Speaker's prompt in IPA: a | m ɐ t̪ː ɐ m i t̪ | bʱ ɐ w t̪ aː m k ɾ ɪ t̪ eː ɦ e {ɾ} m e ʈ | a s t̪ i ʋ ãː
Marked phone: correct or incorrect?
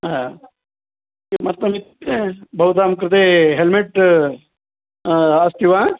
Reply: incorrect